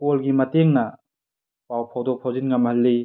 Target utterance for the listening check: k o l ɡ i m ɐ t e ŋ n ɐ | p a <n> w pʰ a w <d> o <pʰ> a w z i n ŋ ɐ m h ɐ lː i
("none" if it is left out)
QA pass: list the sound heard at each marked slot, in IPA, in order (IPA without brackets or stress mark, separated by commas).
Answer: none, d, pʰ